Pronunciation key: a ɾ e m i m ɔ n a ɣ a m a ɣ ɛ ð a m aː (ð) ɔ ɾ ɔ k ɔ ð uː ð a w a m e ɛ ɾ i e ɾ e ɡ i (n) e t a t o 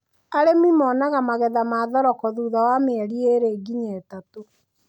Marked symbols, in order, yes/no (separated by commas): yes, no